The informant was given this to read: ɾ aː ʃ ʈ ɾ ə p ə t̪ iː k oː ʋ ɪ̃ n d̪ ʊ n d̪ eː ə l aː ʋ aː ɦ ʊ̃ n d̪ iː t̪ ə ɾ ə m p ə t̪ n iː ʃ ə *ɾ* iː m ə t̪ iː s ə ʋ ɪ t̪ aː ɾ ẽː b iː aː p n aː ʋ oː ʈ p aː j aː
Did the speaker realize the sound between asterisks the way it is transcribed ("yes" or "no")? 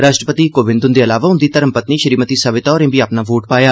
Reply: yes